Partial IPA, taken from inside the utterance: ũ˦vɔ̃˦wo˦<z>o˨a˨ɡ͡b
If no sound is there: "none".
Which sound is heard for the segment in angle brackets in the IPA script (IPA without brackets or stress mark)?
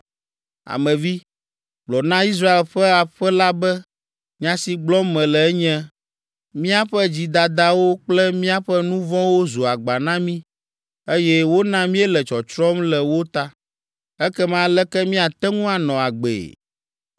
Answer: z